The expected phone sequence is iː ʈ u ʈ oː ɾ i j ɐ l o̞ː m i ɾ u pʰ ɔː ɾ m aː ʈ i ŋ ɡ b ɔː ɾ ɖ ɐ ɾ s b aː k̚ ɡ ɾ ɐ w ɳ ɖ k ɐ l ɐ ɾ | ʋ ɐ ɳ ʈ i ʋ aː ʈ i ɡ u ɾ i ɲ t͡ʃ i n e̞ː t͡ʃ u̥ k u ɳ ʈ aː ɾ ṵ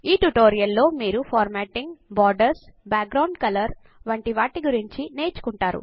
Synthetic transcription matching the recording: iː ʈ u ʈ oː ɾ i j ɐ lː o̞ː m iː ɾ u pʰ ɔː ɾ m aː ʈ i ŋ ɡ b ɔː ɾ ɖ ɐ ɾ s b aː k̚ ɡ ɾ ɐ w ɳ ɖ k ɐ l ɐ ɾ | ʋ ɐ ɳ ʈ i ʋ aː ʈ i ɡ u ɾ i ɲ t͡ʃ i n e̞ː t͡ʃ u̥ k u ɳ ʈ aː ɾ ṵ